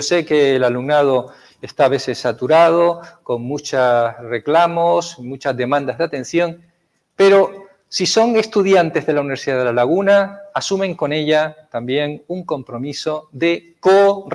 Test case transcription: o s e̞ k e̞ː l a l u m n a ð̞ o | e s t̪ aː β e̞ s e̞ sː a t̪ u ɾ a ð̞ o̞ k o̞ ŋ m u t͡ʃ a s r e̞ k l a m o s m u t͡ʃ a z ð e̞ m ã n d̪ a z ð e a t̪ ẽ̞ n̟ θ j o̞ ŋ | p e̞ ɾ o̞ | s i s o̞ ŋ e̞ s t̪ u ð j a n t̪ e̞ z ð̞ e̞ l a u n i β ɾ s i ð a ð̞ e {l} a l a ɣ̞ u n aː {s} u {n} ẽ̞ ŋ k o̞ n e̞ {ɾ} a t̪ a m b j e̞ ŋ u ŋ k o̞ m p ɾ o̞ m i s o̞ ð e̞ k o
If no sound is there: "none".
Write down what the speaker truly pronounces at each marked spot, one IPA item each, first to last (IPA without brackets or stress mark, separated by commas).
l, s, m, ʎ